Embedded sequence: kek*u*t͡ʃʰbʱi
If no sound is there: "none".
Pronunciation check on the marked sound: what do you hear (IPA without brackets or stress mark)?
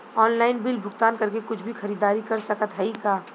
ʊ